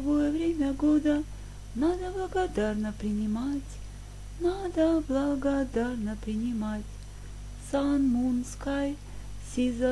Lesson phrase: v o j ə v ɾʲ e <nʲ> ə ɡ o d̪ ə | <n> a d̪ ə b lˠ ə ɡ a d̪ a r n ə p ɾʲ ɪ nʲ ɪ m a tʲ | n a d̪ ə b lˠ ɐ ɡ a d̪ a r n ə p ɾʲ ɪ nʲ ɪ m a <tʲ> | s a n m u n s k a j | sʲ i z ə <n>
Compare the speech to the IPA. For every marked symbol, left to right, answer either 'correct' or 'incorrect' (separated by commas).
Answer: incorrect, correct, correct, incorrect